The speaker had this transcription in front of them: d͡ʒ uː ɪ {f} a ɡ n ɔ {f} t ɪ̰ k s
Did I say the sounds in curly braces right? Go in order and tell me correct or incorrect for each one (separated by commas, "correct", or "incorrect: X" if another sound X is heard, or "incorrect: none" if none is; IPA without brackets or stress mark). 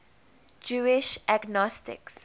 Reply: incorrect: ʃ, incorrect: s